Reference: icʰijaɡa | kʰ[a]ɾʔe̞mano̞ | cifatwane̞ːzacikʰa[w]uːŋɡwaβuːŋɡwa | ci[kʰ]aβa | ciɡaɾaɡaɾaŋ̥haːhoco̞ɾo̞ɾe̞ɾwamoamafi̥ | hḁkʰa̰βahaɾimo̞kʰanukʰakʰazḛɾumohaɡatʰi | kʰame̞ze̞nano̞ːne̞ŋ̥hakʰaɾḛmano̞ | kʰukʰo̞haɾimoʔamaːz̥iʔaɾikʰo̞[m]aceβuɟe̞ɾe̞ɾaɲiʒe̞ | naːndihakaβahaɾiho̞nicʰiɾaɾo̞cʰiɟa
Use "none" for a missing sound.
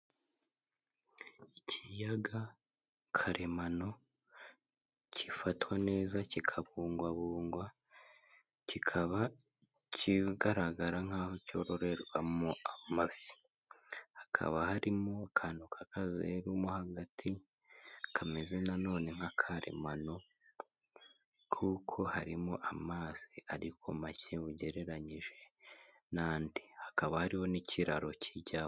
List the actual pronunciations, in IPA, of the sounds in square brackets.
a, β, kʰ, m

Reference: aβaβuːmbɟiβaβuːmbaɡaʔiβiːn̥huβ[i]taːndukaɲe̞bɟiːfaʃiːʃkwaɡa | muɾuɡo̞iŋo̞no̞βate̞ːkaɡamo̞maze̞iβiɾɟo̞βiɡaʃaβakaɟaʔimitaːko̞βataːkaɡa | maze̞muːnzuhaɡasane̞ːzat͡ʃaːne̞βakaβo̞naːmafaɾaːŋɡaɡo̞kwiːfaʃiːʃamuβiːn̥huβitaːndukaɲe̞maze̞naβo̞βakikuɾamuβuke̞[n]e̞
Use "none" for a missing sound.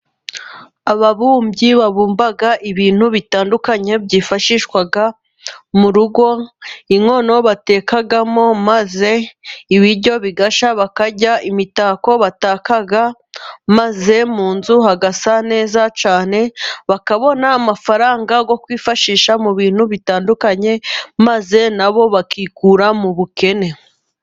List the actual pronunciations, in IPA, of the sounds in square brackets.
i, n

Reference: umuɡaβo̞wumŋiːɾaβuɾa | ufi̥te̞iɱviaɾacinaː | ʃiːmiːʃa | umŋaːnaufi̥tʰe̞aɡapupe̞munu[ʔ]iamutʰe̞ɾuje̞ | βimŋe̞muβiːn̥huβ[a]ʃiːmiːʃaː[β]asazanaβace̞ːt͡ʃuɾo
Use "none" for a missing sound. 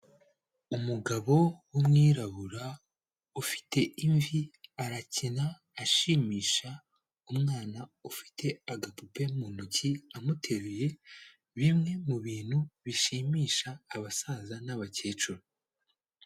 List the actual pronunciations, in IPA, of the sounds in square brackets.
c, i, β

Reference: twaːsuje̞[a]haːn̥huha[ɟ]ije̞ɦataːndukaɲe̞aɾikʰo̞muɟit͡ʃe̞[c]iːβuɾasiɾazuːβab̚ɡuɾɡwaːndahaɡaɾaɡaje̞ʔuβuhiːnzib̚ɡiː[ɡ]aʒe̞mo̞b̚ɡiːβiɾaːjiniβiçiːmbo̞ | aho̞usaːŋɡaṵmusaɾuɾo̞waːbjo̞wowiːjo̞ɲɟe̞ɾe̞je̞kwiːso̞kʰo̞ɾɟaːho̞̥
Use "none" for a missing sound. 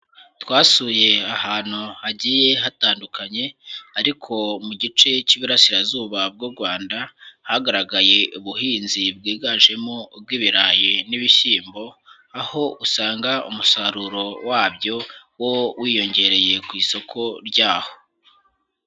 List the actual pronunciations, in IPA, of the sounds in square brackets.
a, ɟ, c, ɡ

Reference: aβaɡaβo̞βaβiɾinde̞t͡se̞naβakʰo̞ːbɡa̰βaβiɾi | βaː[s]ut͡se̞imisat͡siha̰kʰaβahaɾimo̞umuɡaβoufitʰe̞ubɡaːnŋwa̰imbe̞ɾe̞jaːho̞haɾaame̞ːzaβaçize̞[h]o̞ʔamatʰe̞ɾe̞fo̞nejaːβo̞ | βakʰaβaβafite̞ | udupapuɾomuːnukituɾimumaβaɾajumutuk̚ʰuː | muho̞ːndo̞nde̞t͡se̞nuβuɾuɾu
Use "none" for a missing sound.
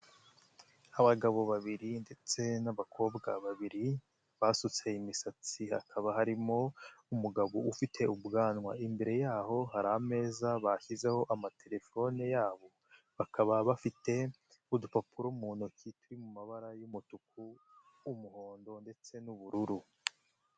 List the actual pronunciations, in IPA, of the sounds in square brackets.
s, h

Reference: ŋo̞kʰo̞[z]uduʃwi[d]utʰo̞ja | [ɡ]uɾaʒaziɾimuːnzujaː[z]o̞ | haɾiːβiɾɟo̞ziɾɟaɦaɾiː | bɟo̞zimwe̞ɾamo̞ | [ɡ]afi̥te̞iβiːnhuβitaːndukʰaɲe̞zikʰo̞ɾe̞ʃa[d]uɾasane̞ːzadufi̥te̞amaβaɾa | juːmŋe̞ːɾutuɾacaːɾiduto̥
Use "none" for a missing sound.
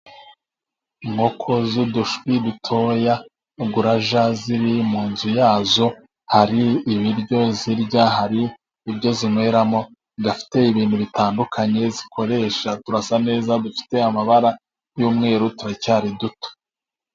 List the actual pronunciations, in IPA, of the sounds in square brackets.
z, d, ɡ, z, ɡ, t

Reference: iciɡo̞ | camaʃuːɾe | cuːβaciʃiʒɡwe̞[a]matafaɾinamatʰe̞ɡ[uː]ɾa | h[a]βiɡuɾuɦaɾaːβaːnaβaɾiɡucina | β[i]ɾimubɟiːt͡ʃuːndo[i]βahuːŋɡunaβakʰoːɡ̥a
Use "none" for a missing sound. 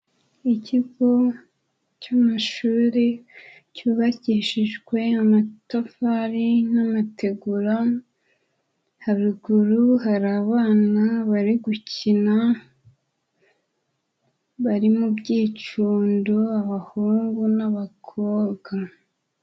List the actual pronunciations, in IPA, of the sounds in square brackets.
a, u, a, a, a

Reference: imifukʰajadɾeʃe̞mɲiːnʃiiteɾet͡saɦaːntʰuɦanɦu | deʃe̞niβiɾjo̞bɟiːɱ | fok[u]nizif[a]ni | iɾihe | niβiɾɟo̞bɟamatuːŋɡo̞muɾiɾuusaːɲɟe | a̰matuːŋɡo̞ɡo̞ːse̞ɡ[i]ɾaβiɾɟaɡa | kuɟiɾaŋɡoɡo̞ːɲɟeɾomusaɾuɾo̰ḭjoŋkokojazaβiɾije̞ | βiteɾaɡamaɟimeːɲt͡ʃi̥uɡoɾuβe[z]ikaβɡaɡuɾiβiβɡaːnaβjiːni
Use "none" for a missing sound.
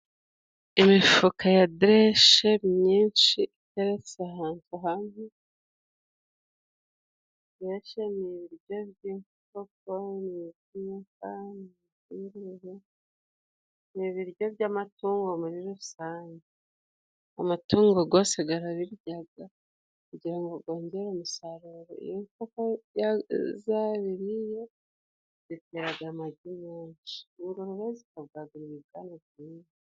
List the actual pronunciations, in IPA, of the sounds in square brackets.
o, a, a, z

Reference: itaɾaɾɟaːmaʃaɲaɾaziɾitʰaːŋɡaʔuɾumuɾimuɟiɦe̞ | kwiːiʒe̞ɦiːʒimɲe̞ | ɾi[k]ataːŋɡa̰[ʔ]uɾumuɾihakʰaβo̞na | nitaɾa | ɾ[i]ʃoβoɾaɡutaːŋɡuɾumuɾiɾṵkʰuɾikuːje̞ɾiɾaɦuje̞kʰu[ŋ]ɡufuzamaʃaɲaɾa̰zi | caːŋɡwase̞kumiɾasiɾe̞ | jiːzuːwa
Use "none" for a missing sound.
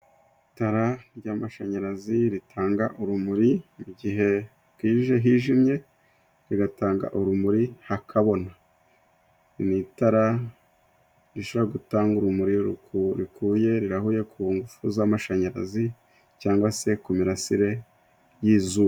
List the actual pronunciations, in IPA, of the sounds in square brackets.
ɡ, ʔ, i, ŋ

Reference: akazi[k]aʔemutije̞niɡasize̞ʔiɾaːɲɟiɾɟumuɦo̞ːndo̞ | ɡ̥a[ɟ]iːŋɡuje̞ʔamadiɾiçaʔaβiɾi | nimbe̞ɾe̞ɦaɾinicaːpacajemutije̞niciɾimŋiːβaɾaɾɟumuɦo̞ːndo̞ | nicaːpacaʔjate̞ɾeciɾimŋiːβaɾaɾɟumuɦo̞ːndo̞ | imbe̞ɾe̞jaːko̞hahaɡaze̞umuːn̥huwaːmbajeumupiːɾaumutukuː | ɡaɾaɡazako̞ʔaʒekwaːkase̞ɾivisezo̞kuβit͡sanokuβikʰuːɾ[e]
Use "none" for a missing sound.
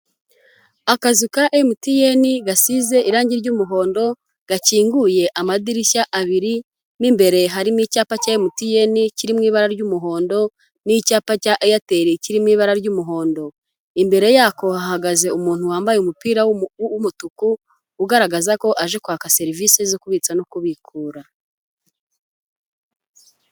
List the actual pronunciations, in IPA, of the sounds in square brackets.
k, c, a

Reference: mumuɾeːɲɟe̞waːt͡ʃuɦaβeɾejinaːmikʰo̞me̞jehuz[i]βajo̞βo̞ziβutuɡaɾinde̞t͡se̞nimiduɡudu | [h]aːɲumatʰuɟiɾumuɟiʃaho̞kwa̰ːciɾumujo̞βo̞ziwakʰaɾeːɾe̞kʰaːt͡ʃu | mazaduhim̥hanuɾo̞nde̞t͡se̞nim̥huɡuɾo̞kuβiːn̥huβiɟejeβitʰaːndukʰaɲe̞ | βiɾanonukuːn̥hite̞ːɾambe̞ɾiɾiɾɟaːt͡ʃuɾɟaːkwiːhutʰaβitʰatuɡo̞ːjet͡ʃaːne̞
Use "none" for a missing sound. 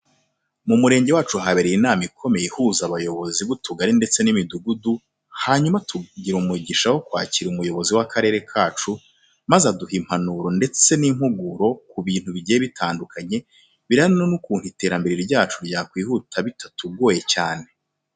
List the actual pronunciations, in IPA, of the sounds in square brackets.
a, h

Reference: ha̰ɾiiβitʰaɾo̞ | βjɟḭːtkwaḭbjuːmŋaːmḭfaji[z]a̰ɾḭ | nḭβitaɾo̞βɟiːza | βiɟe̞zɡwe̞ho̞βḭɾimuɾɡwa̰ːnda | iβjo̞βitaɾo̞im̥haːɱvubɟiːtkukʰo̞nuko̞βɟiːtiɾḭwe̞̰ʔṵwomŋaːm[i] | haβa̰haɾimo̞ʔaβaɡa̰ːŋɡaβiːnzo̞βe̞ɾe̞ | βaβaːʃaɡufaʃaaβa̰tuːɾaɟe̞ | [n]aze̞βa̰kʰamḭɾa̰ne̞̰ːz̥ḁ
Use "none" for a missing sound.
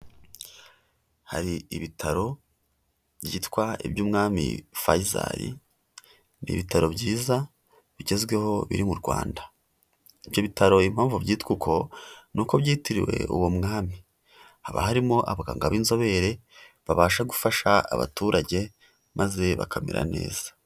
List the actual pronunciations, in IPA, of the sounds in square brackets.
z, i, m

